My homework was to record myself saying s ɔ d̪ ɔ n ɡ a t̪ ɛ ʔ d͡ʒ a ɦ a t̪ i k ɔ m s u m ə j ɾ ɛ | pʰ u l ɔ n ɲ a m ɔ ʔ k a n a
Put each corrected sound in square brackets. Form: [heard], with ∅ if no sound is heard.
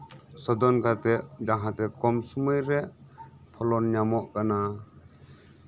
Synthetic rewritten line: s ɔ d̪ ɔ n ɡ a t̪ ɛ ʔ d͡ʒ a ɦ a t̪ [ɛ] k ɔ m s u m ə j ɾ ɛ | pʰ [ɔ] l ɔ n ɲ a m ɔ ʔ k a n a